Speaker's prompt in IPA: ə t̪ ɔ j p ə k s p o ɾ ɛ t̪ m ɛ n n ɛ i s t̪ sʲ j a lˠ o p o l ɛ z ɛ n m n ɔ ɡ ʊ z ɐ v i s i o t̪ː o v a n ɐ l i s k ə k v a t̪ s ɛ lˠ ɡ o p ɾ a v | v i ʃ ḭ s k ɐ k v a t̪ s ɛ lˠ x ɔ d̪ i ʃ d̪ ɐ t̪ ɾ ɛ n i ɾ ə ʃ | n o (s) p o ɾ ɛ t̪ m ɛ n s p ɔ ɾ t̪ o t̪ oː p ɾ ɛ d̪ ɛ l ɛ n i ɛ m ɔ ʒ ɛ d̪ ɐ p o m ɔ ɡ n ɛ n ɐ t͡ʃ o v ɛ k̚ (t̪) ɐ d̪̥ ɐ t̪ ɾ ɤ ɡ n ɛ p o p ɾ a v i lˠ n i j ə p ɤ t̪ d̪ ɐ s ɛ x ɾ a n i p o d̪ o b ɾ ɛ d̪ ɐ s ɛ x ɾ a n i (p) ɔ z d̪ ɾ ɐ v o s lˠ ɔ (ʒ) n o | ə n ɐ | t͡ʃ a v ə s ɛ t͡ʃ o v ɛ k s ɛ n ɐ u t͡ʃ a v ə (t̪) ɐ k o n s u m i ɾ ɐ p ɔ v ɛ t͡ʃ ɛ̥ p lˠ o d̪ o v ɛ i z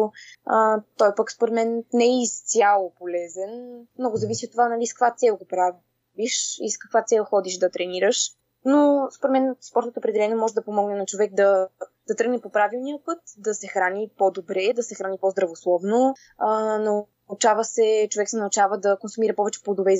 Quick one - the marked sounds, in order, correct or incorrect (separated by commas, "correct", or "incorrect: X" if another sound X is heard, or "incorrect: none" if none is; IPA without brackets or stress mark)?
correct, incorrect: d̪, correct, incorrect: v, incorrect: d̪